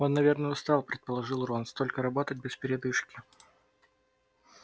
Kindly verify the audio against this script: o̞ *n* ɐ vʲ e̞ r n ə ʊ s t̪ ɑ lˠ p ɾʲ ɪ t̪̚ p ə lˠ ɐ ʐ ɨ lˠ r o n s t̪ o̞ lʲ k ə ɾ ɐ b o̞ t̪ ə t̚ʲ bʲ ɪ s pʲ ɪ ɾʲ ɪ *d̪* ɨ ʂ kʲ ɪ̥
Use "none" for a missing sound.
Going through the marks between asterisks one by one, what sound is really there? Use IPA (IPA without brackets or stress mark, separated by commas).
nː, d̪